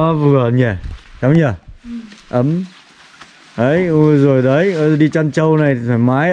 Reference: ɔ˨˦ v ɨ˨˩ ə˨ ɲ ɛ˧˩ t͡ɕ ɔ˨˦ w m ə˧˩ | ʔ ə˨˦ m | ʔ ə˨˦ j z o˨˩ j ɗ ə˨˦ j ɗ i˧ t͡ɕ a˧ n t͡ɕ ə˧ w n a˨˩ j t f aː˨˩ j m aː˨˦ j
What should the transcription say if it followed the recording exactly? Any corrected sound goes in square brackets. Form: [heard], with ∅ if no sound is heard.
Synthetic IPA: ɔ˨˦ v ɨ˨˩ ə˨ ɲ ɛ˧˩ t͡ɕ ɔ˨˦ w [ɲ] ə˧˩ | ʔ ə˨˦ m | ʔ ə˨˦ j z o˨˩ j ɗ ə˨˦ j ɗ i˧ t͡ɕ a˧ n t͡ɕ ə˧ w n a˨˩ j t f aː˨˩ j m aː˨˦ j